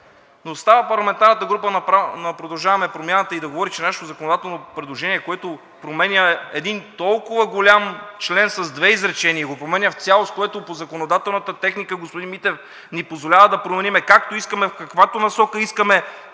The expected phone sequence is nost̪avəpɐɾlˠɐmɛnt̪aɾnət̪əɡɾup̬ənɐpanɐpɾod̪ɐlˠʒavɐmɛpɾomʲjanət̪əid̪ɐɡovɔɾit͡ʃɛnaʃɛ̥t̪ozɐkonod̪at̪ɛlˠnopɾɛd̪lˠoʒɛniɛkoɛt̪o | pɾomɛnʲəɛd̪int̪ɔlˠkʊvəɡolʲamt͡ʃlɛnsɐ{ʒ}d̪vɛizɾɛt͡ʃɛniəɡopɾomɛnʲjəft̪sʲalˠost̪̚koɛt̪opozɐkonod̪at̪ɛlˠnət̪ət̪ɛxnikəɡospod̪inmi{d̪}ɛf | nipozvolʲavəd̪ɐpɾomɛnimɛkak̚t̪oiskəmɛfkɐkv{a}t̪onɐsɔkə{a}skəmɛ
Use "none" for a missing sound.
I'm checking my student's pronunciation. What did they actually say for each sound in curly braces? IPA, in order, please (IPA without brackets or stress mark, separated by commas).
z, t̪, a, i